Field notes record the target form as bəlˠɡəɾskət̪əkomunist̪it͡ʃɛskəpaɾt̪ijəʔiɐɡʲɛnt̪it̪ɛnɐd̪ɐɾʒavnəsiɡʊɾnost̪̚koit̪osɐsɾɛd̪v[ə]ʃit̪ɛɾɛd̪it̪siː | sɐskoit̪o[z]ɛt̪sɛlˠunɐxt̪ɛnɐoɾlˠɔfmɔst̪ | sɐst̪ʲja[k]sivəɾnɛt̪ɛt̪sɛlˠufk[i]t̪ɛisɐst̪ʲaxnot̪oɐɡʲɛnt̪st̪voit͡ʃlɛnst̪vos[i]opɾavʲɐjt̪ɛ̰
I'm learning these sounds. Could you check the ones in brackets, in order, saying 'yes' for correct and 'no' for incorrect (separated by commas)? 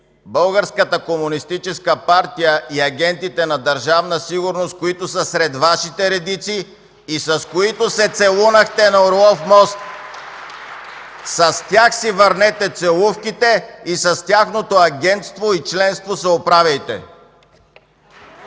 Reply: no, no, no, yes, no